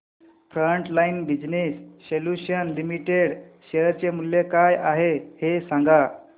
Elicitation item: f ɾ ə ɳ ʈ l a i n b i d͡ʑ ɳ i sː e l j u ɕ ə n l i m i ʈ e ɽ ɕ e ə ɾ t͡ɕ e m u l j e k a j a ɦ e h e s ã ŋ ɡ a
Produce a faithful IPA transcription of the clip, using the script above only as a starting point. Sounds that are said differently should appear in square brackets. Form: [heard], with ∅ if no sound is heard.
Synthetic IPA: f ɾ ə ɳ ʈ l a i n b i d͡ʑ [n] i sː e l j u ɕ ə n l i m i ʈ e ɽ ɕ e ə ɾ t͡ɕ e m u l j e k a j a ɦ e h e s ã ŋ ɡ a